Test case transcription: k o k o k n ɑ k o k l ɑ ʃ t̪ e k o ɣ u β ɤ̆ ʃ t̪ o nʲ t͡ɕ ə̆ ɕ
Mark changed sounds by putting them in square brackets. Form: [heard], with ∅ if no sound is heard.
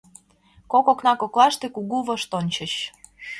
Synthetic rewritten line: k o k o k n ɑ k o k l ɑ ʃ t̪ e k [u] ɣ u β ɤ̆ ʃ t̪ o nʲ t͡ɕ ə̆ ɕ